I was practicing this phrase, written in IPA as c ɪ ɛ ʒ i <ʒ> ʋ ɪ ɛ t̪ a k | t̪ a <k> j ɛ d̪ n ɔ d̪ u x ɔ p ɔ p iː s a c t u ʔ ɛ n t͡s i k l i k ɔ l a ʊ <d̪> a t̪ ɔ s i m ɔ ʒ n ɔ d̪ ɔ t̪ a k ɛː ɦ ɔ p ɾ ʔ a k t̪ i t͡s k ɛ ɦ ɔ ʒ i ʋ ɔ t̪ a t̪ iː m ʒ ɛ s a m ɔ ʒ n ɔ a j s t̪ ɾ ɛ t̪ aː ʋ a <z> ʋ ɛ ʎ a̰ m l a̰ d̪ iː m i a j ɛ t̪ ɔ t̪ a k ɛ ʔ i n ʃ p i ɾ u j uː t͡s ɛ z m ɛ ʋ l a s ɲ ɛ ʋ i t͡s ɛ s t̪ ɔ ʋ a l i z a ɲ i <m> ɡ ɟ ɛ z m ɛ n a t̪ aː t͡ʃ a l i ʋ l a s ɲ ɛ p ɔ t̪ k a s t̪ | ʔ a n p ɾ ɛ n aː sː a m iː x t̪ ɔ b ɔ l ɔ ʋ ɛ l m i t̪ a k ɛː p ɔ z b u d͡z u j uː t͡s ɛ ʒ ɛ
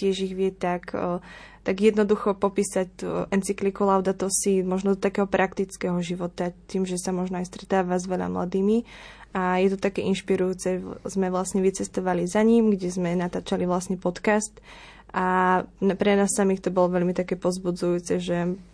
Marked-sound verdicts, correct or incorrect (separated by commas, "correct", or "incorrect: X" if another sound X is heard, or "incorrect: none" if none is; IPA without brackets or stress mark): incorrect: ɣ, incorrect: ɡ, correct, correct, correct